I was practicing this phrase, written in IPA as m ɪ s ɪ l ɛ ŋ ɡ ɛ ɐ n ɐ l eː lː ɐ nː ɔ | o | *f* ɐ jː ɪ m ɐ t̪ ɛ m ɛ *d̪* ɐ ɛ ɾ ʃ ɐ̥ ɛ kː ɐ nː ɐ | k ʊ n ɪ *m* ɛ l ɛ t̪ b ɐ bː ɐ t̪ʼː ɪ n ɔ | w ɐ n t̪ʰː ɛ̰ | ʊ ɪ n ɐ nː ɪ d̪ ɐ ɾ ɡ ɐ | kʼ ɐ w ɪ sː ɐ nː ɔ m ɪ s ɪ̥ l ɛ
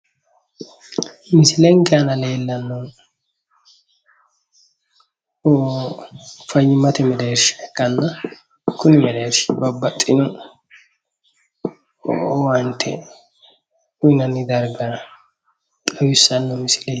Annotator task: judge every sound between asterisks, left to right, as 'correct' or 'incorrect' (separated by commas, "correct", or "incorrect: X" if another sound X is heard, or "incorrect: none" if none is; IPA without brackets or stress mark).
correct, correct, correct